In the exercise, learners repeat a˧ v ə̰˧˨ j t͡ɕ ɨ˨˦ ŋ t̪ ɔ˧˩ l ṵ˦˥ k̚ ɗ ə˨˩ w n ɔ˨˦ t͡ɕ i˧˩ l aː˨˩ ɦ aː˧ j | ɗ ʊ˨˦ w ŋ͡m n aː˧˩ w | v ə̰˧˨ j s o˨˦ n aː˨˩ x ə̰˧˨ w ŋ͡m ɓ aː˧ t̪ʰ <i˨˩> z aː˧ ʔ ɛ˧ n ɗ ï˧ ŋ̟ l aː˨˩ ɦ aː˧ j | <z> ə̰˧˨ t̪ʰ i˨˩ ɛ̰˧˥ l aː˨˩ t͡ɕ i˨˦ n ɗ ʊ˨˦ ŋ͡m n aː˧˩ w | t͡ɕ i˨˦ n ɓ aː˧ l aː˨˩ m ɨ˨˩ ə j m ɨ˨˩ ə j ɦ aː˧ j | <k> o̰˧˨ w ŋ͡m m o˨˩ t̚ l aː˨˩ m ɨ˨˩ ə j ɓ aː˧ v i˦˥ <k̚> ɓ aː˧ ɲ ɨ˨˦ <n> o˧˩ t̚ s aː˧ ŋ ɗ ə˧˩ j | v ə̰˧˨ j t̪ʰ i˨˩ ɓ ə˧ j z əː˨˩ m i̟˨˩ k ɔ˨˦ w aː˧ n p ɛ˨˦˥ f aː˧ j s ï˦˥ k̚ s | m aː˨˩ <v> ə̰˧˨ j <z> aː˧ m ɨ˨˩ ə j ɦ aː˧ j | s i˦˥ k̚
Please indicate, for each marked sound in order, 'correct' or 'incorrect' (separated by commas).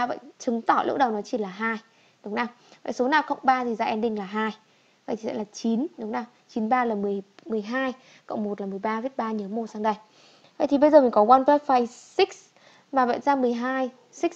correct, incorrect, correct, incorrect, incorrect, correct, correct